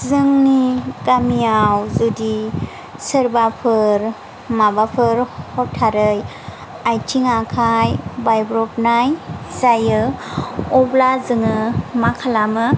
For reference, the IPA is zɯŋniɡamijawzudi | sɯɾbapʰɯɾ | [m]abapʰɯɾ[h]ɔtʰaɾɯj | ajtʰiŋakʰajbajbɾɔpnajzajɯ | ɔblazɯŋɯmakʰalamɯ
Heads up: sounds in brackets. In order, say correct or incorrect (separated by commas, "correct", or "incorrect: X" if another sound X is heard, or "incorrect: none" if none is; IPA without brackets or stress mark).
correct, correct